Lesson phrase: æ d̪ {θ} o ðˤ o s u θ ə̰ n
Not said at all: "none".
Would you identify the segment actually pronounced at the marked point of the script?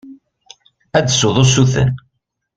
s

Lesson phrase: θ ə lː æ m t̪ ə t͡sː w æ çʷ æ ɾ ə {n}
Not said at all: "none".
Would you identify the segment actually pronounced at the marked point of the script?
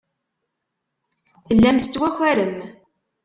m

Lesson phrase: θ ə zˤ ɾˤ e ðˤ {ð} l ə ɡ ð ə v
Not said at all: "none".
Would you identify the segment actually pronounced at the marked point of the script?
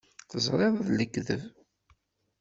ð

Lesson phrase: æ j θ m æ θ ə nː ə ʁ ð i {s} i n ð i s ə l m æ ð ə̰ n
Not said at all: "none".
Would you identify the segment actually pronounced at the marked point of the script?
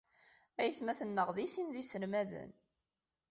s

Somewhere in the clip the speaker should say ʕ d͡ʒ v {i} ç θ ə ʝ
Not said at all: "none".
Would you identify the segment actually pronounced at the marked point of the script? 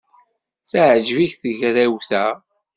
i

